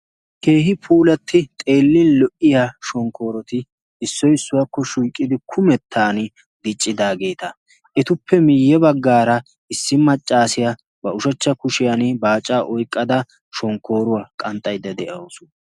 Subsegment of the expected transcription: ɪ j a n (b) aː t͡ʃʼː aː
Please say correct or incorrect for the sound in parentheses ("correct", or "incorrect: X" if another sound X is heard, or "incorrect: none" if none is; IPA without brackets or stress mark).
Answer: correct